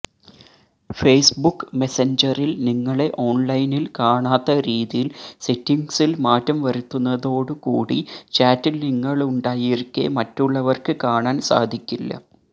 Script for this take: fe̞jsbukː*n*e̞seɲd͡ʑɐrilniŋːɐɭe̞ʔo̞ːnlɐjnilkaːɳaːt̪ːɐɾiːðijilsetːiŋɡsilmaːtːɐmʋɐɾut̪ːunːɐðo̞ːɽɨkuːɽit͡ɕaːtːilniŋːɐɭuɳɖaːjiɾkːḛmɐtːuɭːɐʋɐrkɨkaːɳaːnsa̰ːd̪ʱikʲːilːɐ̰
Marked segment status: incorrect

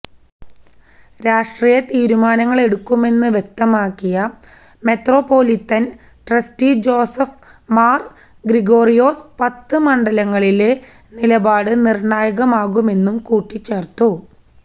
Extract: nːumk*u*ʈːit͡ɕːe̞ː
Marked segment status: incorrect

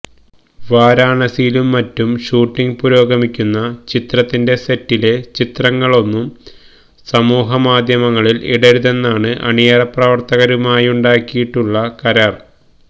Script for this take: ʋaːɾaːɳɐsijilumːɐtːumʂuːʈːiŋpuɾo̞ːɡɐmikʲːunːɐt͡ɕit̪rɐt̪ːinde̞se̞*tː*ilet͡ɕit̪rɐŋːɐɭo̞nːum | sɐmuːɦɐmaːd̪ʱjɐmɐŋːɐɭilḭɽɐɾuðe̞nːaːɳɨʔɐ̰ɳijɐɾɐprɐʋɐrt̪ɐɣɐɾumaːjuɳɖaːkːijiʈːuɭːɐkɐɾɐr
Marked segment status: correct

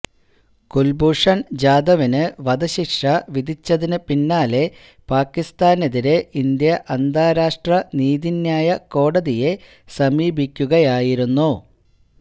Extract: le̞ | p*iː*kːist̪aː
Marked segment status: incorrect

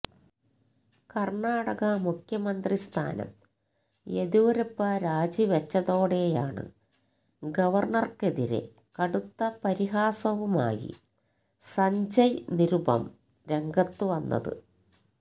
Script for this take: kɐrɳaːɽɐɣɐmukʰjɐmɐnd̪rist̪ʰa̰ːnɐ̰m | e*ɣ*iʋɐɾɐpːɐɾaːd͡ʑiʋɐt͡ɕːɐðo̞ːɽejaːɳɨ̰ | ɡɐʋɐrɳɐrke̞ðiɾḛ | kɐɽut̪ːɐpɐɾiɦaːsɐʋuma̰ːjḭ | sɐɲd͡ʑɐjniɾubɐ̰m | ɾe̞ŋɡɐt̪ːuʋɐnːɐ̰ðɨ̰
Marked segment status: incorrect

